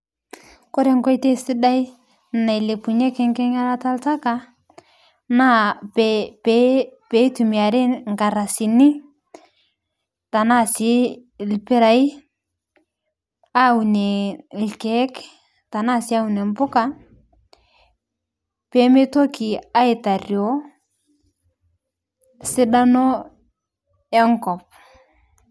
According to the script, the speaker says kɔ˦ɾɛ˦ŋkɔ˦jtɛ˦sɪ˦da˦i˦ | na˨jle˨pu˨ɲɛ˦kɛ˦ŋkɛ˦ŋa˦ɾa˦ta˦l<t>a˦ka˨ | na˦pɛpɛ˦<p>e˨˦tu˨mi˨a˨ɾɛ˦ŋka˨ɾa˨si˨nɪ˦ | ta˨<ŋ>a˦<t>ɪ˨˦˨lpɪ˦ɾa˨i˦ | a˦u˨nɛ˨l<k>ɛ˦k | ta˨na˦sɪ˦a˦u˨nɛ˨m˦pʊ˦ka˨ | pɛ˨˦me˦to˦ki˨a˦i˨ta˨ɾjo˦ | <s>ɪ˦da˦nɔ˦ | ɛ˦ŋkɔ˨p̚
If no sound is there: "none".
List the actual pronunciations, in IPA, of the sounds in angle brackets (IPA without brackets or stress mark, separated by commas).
t, p, n, s, k, s